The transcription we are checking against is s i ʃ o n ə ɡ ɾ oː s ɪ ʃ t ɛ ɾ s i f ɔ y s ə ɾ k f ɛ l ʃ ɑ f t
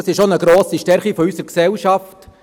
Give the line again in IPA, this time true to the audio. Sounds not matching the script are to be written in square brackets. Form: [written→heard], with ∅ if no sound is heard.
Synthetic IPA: s [i→ɪ] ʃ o n ə ɡ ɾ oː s [ɪ→i] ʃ t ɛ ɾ [s→χ] i f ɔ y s ə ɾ k [f→s] ɛ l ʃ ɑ f t